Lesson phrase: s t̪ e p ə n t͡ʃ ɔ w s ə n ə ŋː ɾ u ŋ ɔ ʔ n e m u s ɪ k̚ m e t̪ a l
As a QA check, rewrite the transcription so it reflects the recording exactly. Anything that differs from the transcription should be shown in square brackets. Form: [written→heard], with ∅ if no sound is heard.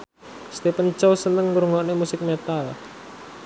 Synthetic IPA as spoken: s t̪ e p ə n t͡ʃ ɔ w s ə n ə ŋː ɾ u ŋ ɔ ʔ n e m u s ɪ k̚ m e t̪ a l